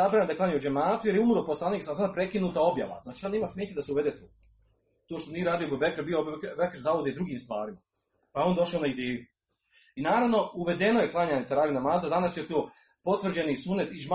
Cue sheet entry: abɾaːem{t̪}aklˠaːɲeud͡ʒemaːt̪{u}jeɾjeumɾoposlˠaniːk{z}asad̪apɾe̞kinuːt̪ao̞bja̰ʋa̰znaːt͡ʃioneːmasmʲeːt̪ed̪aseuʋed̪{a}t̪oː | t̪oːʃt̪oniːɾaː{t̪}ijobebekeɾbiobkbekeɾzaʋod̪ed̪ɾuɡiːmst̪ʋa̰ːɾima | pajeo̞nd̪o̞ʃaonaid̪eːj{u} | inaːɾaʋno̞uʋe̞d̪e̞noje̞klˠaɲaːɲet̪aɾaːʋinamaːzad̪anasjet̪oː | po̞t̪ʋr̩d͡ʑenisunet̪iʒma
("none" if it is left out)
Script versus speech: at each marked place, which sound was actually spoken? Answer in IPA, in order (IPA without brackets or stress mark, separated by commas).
d̪, u, s, e, d̪, u